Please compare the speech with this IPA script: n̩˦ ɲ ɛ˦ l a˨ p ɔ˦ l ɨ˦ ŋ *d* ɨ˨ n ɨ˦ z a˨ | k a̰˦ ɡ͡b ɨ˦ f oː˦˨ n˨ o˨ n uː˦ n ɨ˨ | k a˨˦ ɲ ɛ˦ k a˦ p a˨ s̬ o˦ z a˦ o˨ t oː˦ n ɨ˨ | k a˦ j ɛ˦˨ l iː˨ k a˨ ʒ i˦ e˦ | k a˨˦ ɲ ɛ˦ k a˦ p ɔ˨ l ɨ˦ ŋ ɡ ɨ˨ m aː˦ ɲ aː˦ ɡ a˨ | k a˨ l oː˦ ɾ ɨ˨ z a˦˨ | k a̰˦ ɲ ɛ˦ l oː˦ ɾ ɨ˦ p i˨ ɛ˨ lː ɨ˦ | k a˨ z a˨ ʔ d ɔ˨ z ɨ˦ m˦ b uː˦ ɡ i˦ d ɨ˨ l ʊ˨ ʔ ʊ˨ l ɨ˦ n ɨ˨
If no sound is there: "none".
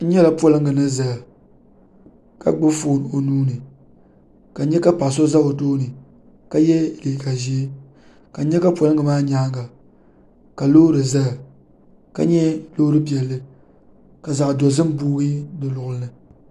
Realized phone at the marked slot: ɡ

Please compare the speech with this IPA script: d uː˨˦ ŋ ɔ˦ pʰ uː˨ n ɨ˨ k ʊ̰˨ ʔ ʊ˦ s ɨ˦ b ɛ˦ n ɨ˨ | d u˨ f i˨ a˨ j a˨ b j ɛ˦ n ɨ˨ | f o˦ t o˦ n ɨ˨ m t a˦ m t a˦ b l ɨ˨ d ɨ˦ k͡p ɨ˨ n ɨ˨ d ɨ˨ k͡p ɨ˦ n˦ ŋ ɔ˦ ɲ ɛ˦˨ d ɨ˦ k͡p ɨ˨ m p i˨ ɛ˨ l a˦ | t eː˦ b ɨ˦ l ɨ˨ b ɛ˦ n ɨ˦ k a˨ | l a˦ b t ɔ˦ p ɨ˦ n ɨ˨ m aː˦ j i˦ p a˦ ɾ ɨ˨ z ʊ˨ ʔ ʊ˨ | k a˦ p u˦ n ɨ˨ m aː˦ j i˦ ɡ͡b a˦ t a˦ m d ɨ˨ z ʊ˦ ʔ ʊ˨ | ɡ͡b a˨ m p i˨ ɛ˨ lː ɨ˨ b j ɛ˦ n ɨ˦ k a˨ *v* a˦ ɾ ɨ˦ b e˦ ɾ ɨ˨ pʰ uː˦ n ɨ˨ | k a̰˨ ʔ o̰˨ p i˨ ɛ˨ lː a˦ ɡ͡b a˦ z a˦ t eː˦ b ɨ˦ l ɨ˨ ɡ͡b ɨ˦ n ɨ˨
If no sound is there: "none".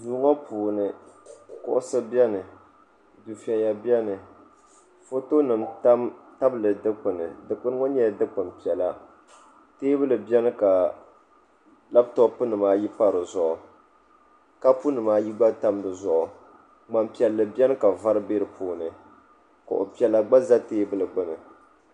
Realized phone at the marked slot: v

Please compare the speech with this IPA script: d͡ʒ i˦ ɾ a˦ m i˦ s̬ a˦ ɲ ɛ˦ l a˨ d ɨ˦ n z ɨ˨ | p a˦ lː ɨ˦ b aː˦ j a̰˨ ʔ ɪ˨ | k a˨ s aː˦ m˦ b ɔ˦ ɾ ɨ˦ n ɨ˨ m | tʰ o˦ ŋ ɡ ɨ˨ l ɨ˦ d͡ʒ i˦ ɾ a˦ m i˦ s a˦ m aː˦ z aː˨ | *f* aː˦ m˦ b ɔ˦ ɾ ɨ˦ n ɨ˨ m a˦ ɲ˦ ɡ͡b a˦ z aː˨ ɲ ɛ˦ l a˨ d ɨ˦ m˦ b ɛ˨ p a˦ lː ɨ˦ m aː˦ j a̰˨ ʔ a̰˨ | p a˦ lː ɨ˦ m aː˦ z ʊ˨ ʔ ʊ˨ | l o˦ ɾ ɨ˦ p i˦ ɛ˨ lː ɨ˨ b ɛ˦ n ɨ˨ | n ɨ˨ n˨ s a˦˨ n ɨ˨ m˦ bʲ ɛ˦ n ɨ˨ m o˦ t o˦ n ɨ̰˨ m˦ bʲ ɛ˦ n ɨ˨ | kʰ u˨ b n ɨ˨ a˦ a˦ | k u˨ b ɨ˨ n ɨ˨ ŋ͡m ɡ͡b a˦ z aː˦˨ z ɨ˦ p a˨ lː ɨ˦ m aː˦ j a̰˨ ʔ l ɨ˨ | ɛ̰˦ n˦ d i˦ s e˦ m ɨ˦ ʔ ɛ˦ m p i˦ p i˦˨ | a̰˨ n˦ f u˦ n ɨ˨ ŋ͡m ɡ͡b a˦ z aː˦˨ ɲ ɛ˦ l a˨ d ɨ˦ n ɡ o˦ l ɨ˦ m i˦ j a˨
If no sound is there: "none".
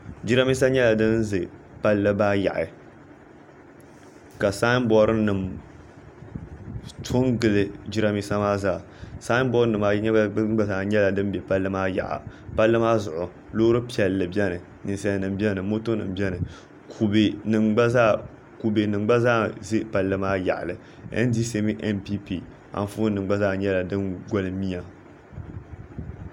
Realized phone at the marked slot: s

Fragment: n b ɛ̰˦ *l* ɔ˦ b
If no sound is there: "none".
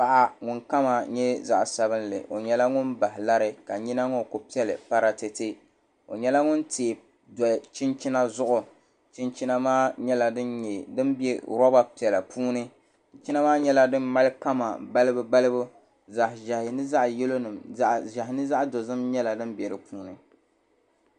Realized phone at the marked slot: ɾ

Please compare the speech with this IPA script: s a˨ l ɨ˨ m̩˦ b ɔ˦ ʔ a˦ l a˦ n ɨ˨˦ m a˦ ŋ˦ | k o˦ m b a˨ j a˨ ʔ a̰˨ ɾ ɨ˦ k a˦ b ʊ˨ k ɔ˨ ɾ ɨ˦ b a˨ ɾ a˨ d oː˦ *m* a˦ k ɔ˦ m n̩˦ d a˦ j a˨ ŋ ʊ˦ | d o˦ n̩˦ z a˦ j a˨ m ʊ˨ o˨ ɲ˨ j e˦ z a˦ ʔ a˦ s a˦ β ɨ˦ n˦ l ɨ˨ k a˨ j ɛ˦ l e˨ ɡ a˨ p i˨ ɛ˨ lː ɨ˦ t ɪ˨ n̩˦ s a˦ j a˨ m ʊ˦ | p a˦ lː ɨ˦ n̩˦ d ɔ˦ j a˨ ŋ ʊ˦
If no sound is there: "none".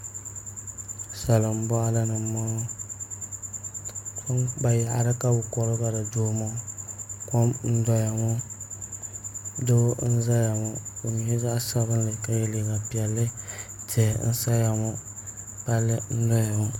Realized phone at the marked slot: m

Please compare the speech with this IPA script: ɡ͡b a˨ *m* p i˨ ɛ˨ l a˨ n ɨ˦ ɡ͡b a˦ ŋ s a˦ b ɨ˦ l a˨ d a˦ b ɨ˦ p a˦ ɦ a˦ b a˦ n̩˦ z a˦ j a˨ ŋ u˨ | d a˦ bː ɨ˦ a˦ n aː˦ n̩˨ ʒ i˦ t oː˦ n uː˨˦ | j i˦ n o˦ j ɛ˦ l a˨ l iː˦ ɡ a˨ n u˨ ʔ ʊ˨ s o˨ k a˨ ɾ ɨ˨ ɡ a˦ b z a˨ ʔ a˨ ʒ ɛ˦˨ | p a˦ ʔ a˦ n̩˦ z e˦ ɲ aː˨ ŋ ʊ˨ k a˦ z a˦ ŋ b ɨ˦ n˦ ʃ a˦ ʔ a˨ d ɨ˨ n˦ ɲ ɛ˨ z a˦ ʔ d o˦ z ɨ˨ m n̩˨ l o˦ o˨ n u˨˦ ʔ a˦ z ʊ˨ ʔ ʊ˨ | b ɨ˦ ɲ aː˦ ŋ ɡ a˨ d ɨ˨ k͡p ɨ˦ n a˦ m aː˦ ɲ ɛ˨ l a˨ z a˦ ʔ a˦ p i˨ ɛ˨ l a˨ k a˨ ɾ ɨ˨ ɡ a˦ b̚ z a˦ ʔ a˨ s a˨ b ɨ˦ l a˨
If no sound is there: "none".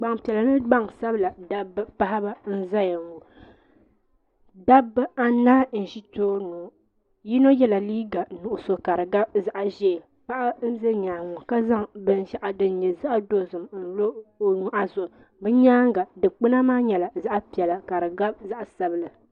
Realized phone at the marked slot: ŋ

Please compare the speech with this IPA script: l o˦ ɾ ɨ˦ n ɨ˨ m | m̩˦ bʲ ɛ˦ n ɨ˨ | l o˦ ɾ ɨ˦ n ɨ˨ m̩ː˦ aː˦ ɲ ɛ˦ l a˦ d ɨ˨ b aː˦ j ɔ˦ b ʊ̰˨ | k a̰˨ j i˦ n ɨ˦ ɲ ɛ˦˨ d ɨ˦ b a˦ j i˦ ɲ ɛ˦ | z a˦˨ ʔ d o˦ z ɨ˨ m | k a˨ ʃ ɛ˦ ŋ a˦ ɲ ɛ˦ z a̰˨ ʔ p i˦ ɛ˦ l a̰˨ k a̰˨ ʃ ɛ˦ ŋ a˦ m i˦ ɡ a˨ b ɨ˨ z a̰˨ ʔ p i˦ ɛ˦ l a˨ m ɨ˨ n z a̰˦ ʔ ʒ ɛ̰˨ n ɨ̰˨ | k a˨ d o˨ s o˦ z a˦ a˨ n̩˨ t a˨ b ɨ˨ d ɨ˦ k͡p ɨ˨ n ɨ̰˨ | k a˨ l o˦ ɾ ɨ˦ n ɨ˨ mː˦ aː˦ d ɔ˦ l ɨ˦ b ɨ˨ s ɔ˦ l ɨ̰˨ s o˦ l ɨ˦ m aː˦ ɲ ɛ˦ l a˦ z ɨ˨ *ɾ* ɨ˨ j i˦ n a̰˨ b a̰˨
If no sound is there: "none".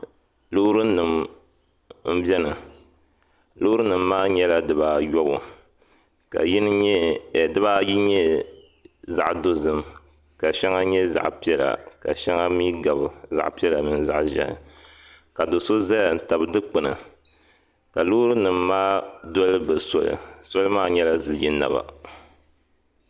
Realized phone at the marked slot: l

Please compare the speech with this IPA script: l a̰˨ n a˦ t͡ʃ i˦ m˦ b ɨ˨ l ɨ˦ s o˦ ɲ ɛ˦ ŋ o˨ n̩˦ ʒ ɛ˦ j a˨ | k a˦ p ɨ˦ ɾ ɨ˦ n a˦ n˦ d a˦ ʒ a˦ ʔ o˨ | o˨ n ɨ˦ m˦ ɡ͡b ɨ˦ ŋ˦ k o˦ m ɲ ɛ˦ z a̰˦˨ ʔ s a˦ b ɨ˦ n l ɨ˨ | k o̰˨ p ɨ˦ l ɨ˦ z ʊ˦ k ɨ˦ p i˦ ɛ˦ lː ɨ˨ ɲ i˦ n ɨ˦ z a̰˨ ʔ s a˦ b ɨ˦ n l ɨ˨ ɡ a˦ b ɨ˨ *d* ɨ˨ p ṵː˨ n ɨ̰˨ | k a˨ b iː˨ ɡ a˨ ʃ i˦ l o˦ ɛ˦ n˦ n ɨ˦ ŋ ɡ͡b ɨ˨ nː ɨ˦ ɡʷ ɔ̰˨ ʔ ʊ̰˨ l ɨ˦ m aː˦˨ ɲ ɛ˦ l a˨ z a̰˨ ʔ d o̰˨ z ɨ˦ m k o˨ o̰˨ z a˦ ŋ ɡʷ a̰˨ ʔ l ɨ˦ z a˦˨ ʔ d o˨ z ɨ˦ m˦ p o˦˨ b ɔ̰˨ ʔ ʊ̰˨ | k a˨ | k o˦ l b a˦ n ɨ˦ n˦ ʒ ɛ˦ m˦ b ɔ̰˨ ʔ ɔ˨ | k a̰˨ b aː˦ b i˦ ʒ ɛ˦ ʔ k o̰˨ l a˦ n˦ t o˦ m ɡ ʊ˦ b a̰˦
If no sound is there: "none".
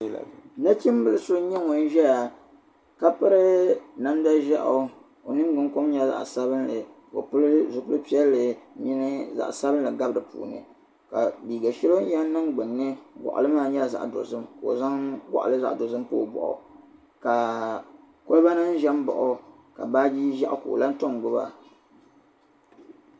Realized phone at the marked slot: d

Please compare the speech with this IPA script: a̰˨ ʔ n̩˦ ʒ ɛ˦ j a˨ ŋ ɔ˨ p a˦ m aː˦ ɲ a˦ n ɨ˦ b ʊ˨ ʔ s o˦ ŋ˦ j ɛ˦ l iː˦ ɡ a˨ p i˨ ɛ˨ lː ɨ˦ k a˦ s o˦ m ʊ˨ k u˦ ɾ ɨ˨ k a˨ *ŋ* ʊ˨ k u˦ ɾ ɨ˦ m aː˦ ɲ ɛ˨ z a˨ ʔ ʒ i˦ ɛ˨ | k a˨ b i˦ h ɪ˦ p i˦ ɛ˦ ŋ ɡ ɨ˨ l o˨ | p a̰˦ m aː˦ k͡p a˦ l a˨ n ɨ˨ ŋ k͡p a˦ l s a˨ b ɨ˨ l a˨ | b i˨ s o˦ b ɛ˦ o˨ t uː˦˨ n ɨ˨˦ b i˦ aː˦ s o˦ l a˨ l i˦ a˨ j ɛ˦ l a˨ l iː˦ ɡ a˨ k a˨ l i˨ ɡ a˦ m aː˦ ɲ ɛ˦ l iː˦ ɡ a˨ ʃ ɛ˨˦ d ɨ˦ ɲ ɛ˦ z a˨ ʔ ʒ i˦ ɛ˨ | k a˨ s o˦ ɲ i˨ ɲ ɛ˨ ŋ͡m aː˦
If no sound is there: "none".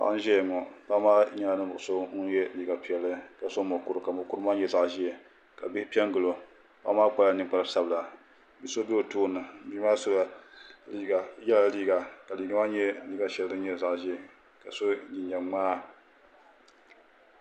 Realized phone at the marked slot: m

